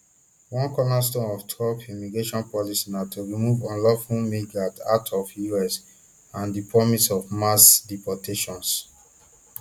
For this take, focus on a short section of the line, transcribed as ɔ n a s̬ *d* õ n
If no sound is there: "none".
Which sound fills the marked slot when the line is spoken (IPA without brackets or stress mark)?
t